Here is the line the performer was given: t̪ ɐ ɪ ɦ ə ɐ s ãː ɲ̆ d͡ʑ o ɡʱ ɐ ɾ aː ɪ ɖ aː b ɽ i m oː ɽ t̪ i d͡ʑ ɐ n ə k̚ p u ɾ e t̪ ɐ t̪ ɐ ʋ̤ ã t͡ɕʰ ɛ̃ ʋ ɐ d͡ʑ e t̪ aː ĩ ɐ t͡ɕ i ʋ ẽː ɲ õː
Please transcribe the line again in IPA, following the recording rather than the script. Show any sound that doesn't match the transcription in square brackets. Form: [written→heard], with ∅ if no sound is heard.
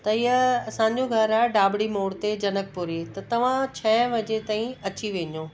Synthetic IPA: t̪ ɐ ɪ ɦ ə ɐ s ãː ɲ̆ d͡ʑ o ɡʱ ɐ ɾ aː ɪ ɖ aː b ɽ i m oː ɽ t̪ [i→e] d͡ʑ ɐ n ə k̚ p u ɾ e t̪ ɐ t̪ ɐ ʋ̤ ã t͡ɕʰ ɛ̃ ʋ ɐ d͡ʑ e t̪ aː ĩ ɐ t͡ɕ i ʋ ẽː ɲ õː